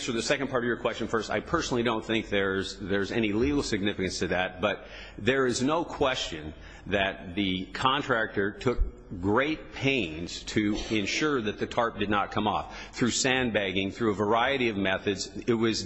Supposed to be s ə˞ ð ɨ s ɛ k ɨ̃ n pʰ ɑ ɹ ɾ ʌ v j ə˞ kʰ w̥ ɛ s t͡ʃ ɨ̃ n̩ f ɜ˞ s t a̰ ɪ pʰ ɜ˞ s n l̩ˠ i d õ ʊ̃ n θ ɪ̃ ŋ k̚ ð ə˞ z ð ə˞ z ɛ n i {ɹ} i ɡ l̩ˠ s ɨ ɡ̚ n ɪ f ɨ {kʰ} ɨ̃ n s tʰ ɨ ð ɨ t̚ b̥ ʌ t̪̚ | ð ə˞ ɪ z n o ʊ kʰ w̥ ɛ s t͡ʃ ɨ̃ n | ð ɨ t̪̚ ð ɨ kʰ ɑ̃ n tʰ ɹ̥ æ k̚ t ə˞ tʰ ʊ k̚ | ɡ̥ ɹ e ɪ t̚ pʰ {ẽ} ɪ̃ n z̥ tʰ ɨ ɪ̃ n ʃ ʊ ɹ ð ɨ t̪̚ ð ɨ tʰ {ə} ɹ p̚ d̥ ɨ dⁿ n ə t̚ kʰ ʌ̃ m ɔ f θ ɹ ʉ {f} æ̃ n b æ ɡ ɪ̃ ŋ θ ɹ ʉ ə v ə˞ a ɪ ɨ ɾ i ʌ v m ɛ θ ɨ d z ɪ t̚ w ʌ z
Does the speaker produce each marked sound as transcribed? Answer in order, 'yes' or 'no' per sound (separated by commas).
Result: no, no, yes, no, no